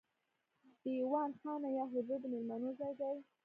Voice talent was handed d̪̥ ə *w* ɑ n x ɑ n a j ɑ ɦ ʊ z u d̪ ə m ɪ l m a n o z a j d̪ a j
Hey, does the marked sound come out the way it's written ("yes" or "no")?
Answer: yes